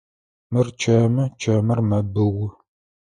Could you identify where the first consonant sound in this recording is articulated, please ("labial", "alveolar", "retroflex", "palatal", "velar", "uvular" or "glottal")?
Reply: labial